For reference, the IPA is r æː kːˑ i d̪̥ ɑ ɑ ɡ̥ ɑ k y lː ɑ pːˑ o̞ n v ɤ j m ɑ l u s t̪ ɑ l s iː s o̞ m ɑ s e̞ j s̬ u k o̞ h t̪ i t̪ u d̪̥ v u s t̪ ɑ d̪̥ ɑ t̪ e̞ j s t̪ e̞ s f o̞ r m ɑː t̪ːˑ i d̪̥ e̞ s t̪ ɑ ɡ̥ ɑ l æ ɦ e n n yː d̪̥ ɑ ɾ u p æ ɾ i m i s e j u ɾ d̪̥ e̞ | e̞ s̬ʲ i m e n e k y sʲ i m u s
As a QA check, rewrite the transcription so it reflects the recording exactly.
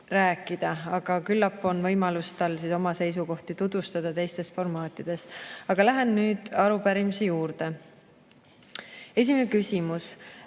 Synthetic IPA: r æː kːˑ i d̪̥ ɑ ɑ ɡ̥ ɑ k y lː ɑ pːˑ o̞ n v ɤ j m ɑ l u s t̪ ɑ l s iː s o̞ m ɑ s e̞ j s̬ u k o̞ h t̪ i t̪ u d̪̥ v u s t̪ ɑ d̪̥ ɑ t̪ e̞ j s t̪ e̞ s f o̞ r m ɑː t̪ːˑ i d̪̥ e̞ s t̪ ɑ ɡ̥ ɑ l æ ɦ e n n yː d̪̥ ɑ ɾ u p æ ɾ i m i s e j uː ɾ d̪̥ e̞ | e̞ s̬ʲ i m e n e k y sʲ i m u s